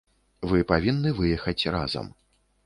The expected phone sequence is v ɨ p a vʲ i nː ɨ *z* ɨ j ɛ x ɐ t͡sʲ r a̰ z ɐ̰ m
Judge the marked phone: incorrect: v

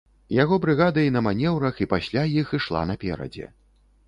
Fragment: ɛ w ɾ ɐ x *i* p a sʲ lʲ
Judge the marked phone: correct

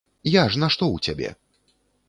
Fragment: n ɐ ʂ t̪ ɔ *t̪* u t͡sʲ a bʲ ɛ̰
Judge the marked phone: incorrect: none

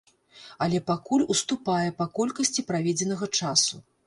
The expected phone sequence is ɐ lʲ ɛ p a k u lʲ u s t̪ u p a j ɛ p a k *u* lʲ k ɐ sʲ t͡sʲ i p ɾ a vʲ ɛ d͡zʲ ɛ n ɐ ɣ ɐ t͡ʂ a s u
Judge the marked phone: incorrect: ɔ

